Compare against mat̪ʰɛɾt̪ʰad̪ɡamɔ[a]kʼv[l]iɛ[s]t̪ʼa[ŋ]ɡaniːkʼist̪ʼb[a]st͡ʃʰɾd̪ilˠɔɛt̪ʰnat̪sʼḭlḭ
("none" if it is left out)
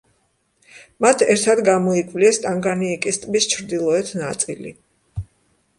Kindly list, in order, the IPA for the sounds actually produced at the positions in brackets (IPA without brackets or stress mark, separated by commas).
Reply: i, l, s, ŋ, i